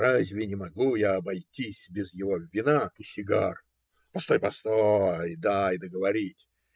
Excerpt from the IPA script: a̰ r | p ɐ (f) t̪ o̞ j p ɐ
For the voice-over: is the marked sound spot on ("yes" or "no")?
no